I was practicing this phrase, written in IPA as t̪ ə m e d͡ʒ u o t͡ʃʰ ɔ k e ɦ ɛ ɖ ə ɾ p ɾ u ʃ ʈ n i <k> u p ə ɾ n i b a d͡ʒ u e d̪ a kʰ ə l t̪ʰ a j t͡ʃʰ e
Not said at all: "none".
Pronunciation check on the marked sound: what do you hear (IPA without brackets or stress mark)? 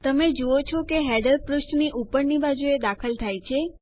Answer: ʔ